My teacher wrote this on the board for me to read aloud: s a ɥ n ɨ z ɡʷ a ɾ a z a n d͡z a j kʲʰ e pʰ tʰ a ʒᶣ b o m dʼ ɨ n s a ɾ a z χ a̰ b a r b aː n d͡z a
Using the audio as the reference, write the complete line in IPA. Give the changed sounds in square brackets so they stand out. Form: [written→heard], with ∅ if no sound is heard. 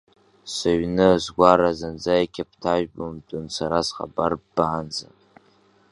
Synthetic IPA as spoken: s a ɥ n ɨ z ɡʷ a ɾ a z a n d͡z a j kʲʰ [e→a] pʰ tʰ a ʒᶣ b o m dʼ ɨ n s a ɾ a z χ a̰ b a r b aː n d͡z a